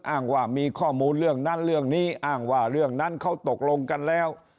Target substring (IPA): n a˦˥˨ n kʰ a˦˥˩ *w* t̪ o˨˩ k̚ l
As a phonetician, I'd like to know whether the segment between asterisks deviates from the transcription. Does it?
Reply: no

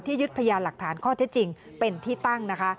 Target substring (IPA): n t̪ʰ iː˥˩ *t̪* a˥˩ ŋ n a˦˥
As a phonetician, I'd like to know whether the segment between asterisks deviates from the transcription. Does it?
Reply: no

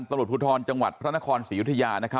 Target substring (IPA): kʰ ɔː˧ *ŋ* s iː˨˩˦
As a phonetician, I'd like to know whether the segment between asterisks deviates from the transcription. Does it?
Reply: yes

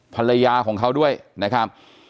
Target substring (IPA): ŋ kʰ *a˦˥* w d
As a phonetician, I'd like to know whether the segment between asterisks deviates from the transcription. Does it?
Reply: no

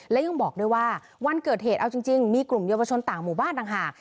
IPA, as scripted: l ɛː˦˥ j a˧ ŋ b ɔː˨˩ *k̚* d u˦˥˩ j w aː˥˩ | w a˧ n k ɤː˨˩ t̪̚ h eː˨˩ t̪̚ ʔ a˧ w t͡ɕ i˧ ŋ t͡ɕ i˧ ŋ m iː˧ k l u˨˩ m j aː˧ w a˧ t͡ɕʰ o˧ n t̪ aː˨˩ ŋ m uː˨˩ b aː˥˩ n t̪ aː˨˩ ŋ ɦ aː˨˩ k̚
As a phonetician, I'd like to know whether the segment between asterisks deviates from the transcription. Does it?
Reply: no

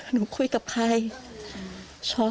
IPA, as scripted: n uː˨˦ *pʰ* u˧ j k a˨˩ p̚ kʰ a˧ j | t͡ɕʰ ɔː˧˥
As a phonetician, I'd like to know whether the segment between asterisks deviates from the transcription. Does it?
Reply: yes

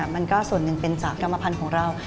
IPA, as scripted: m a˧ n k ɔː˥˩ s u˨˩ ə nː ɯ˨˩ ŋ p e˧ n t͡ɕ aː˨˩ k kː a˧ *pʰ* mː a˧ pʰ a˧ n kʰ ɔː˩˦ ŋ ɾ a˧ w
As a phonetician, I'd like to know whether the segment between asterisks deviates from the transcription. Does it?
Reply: yes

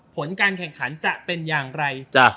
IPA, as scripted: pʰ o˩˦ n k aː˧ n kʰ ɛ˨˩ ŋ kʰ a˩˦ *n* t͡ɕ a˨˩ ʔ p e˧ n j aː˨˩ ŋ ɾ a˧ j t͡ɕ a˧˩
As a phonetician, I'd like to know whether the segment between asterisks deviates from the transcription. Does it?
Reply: no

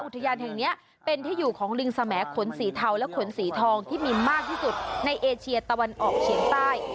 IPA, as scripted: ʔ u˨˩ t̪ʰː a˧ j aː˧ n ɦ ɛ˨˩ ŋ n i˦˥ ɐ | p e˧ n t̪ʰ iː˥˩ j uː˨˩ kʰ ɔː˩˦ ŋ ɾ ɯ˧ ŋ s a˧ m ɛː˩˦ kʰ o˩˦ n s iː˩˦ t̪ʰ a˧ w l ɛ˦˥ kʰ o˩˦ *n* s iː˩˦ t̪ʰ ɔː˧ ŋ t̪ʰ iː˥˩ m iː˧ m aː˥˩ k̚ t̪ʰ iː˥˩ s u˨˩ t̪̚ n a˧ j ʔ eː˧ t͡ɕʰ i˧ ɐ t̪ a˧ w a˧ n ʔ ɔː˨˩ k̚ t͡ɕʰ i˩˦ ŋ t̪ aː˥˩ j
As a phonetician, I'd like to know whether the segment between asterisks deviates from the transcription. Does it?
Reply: no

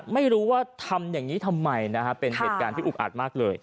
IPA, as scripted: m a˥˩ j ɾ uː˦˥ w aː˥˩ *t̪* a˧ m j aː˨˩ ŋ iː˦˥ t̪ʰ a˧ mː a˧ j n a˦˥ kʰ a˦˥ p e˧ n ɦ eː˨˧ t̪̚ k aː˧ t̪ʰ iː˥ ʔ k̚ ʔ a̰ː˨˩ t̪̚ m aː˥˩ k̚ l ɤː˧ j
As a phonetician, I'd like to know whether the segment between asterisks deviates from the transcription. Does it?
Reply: yes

